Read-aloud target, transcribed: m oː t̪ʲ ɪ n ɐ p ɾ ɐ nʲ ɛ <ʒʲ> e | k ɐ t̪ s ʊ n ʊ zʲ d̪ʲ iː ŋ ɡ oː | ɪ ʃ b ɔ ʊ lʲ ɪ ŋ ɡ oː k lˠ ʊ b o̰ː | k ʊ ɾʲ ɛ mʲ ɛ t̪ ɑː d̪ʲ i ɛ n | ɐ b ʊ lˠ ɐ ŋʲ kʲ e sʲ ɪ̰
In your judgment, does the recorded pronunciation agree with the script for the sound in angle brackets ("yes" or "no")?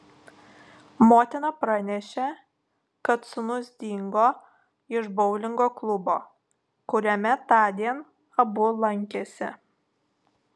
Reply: no